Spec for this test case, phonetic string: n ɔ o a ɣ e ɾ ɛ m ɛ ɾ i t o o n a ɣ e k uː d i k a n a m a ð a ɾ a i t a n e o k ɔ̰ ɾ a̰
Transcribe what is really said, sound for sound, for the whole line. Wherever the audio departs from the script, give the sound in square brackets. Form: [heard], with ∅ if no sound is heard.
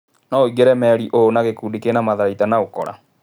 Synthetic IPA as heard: n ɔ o [i] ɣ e ɾ ɛ m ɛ ɾ i [ʔ] o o n a ɣ e k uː d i k [e] n a m a ð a ɾ a i t a n [a] o k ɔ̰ ɾ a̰